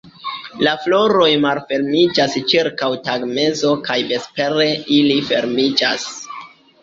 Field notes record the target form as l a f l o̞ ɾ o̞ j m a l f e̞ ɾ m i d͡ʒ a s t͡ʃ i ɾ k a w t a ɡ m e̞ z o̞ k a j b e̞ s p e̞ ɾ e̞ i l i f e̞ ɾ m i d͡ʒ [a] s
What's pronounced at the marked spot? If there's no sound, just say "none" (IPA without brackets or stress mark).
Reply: a